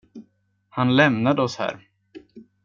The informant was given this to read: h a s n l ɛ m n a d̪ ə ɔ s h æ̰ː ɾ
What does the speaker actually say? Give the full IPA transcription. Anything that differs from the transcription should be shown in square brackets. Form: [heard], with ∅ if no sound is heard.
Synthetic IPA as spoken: h a [∅] n l ɛ m n a d̪ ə ɔ s h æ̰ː ɾ